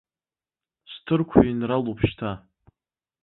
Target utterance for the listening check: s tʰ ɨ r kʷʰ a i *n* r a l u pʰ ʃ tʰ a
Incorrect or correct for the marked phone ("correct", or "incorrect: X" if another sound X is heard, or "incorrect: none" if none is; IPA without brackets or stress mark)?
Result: correct